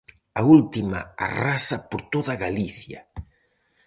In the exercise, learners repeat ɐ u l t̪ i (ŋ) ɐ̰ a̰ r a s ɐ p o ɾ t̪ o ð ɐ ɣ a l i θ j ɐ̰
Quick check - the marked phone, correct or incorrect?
incorrect